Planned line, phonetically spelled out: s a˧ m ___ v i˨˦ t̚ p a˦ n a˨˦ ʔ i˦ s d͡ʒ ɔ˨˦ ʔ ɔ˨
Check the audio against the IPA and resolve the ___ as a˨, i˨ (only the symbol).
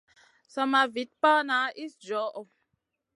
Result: a˨